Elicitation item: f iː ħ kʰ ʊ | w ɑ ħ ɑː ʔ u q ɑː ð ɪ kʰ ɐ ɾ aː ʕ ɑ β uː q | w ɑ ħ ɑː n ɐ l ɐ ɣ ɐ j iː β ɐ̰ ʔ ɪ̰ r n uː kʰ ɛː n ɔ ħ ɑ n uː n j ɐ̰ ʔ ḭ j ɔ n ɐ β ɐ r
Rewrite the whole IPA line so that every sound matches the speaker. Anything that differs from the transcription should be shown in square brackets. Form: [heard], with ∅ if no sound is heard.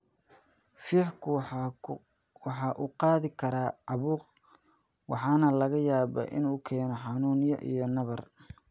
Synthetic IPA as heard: f iː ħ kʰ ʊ | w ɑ ħ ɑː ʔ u q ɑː ð ɪ kʰ ɐ ɾ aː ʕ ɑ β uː q | w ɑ ħ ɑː n ɐ l ɐ ɣ ɐ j [aː] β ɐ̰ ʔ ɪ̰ [∅] n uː kʰ ɛː n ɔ ħ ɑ n uː n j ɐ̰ ʔ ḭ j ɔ n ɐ β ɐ r